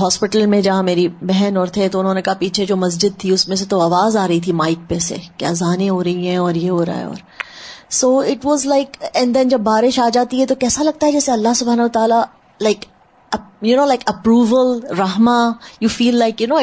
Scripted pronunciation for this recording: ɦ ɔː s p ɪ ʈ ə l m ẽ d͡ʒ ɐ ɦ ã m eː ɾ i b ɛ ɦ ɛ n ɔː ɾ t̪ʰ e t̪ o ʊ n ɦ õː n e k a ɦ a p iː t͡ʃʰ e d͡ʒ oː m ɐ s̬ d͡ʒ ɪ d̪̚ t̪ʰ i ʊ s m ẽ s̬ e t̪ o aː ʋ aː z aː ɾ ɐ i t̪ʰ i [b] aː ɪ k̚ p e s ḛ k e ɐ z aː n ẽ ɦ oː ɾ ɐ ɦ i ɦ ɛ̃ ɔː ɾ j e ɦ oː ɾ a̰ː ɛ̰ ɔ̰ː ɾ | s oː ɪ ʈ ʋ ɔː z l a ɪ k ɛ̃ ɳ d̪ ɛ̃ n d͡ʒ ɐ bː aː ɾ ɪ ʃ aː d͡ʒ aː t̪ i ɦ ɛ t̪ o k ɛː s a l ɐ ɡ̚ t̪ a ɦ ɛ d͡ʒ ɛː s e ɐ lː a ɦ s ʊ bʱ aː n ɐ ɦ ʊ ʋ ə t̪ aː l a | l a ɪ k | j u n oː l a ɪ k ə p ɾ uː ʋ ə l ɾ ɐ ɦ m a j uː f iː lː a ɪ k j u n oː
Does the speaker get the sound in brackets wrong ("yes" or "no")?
yes